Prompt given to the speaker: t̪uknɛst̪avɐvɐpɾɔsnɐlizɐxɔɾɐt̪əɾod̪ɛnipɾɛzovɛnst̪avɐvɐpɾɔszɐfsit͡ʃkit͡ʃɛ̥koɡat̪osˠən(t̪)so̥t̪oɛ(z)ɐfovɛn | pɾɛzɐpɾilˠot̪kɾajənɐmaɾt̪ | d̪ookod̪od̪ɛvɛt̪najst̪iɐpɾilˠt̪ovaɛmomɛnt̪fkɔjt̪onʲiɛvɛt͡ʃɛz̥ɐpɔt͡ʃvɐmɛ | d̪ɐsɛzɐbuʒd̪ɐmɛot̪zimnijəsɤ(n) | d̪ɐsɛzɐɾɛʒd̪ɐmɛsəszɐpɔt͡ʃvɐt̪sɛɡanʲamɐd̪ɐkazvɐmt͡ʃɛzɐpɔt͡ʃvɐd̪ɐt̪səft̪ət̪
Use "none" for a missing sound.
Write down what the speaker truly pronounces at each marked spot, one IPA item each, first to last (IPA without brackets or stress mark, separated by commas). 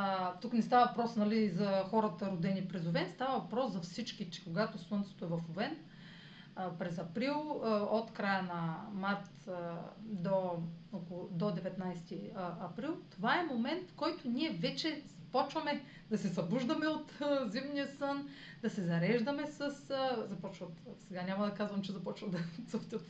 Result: t̪, v, n